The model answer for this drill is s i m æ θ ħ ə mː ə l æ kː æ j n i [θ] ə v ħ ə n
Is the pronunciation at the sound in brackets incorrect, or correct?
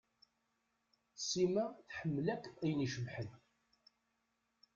incorrect: ʃ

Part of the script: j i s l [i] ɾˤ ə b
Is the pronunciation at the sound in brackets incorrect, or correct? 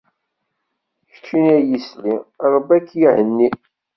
correct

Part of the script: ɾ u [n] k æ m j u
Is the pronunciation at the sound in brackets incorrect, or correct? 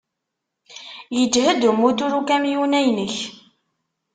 incorrect: none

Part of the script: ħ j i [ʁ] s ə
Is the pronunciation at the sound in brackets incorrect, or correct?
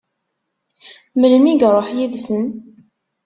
incorrect: ð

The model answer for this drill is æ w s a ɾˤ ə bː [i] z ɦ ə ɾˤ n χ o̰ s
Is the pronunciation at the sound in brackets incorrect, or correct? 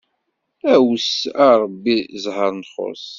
correct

